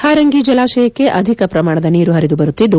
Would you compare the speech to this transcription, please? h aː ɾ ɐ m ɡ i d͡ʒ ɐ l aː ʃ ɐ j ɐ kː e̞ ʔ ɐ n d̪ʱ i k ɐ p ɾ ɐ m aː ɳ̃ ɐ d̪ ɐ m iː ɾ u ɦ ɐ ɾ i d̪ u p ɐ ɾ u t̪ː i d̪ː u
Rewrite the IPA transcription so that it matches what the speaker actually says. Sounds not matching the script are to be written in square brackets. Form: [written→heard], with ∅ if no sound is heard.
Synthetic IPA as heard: h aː ɾ ɐ [m→ŋ] ɡ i d͡ʒ ɐ l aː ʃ ɐ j ɐ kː e̞ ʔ ɐ [n→∅] d̪ʱ i k ɐ p ɾ ɐ m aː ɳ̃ ɐ d̪ ɐ [m→n] iː ɾ u ɦ ɐ ɾ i d̪ u [p→b] ɐ ɾ u t̪ː i d̪ː u